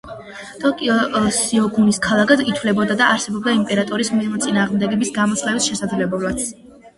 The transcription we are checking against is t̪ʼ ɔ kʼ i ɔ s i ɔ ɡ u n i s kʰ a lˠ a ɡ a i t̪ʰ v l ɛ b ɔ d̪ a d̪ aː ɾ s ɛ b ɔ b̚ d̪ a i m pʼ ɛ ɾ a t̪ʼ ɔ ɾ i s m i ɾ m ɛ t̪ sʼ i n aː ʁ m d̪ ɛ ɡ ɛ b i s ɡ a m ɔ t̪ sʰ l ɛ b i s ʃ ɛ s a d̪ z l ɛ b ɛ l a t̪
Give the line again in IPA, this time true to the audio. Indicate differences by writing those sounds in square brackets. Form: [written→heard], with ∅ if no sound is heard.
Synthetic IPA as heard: t̪ʼ ɔ kʼ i ɔ s i ɔ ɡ u n i s kʰ a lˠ a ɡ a i t̪ʰ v l ɛ b ɔ d̪ a d̪ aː ɾ s ɛ b ɔ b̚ d̪ a i m pʼ ɛ ɾ a t̪ʼ ɔ ɾ i s m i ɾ m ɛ t̪ sʼ i n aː ʁ m d̪ ɛ ɡ ɛ b i s ɡ a m ɔ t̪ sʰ l ɛ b i s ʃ ɛ s a d̪ z l ɛ b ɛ l a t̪

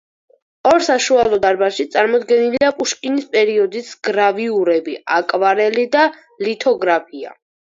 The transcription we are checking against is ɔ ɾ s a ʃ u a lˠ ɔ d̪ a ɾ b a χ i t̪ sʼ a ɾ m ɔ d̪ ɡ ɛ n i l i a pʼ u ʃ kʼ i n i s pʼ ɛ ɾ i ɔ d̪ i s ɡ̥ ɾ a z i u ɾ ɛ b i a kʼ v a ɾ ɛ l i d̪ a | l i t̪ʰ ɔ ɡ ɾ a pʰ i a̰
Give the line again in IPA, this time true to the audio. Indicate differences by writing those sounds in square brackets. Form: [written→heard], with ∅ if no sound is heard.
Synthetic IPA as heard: ɔ ɾ s a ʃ u a lˠ ɔ d̪ a ɾ b a [χ→ʃ] i t̪ sʼ a ɾ m ɔ d̪ ɡ ɛ n i l i a pʼ u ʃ kʼ i n i s pʼ ɛ ɾ i ɔ d̪ i s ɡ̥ ɾ a [z→v] i u ɾ ɛ b i a kʼ v a ɾ ɛ l i d̪ a | l i t̪ʰ ɔ ɡ ɾ a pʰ i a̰

